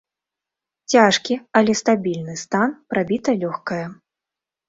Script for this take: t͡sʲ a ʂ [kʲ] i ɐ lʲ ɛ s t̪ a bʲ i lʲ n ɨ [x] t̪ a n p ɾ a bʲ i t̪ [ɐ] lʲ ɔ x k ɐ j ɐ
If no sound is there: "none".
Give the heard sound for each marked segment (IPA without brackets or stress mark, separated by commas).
kʲ, s, ɐ